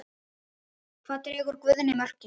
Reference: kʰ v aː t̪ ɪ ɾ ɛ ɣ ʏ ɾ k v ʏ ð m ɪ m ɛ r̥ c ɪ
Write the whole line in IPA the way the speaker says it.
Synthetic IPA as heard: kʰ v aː t̪ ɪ ɾ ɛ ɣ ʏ ɾ k v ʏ ð n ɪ m œ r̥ c ɪ